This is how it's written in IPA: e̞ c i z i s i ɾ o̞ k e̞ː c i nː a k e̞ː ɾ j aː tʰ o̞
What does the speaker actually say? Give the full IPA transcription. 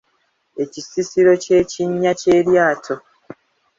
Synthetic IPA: e̞ c i s i s i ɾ o̞ c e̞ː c i ɲː a c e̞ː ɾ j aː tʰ o̞